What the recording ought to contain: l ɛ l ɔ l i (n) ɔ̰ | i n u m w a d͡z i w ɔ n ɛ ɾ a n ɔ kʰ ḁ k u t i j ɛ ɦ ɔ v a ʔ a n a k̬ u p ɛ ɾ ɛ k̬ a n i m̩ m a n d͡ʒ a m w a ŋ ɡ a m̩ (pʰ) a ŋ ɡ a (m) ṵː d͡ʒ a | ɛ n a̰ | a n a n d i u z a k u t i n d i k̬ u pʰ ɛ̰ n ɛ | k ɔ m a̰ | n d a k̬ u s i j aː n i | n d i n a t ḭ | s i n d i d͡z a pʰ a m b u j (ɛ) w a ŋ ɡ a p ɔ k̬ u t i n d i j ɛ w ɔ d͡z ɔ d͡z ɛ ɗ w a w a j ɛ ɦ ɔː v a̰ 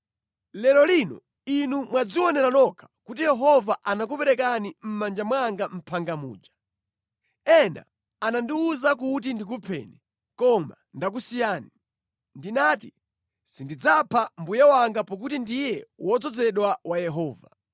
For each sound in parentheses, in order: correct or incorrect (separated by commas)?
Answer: correct, correct, correct, incorrect